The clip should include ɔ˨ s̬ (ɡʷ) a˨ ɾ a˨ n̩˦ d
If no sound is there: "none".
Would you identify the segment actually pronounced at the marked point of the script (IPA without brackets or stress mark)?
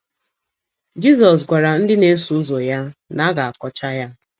ɡʷ